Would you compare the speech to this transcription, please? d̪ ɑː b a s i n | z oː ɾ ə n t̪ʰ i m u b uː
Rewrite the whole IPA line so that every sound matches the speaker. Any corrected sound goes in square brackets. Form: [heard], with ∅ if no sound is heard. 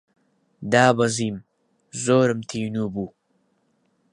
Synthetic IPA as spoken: d̪ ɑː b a [z] i [m] | z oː ɾ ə [m] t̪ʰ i [n] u b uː